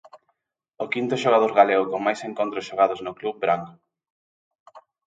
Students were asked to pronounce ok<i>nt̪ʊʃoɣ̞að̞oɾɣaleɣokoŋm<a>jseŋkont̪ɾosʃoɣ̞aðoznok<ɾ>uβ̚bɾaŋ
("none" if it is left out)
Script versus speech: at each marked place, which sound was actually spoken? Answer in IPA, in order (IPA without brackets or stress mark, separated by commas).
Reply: i, a, l